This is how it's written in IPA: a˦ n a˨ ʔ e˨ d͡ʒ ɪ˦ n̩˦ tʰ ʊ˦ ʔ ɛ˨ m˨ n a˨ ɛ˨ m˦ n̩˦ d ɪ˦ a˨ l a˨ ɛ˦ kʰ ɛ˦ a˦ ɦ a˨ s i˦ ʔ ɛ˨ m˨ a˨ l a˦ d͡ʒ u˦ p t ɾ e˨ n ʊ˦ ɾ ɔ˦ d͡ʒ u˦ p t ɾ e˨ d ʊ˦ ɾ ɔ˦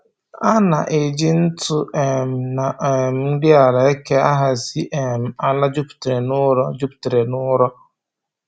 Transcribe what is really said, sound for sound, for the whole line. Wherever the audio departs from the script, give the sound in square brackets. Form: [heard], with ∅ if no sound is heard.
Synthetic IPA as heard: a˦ n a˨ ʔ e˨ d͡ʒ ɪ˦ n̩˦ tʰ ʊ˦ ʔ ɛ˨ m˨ n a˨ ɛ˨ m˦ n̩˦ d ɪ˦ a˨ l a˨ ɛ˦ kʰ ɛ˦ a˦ ɦ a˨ s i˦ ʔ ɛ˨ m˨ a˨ l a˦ d͡ʒ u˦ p t ɾ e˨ n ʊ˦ ɾ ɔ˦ d͡ʒ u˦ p t ɾ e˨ [n] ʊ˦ ɾ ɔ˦